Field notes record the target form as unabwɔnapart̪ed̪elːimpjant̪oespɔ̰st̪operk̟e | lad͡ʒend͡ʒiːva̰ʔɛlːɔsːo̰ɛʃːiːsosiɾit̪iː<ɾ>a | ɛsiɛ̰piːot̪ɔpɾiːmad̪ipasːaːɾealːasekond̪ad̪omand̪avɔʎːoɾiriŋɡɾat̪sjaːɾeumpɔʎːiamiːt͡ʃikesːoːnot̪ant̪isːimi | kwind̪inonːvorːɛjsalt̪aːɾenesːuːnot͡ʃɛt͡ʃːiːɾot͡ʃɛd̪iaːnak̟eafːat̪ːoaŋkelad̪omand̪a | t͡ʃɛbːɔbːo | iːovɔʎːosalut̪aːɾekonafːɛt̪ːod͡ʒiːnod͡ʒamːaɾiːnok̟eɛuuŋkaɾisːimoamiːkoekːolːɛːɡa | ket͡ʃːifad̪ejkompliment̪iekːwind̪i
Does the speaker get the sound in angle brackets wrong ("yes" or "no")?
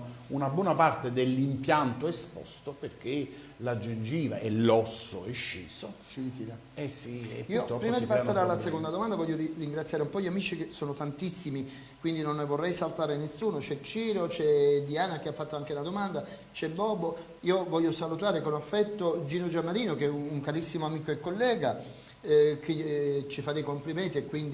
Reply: no